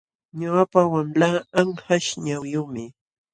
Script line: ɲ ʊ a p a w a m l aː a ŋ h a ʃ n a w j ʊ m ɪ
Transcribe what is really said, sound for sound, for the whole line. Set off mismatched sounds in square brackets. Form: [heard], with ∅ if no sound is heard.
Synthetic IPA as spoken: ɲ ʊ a p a w a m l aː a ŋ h a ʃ [ɲ] a w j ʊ m ɪ